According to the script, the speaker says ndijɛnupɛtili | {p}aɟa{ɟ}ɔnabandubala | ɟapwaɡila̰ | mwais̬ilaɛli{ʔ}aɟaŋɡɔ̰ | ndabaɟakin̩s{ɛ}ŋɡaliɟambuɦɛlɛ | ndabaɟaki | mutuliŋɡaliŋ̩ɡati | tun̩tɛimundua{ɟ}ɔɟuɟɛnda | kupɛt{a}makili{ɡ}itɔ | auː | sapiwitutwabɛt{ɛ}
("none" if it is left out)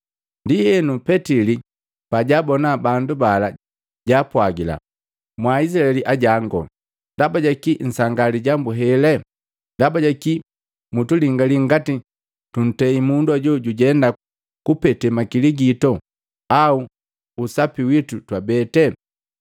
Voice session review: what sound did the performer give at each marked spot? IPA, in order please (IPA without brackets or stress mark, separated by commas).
p, b, ʔ, a, ɟ, ɛ, ɡ, ɛ